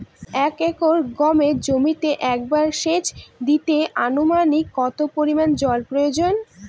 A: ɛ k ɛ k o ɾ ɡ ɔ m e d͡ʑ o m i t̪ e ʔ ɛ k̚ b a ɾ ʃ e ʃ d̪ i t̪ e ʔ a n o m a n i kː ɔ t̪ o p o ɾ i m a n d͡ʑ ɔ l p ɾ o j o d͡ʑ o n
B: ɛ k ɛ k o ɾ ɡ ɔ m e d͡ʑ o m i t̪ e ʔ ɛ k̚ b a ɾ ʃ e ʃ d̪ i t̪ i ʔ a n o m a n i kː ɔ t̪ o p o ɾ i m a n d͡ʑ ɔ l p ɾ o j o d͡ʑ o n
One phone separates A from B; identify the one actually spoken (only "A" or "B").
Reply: A